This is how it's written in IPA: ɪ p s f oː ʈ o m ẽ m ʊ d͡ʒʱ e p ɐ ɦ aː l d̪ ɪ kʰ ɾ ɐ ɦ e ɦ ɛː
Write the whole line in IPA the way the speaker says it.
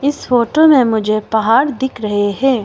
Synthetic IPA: ɪ s f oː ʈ o m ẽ m ʊ d͡ʒʱ e p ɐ ɦ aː ɾ d̪ ɪ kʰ ɾ ɐ ɦ e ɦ ɛː